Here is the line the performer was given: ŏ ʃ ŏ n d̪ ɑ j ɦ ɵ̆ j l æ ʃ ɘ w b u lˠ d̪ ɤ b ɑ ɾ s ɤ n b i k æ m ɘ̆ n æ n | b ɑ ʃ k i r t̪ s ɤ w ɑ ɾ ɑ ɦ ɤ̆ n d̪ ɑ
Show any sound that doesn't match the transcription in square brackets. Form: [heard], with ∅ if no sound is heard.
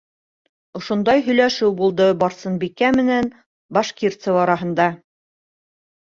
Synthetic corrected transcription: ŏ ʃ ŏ n d̪ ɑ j ɦ ɵ̆ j l æ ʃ ɘ w b u lˠ d̪ ɤ b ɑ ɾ s ɤ n b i k æ m ɘ̆ n æ n | b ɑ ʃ k i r t̪ s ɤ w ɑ ɾ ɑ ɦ ɤ̆ n d̪ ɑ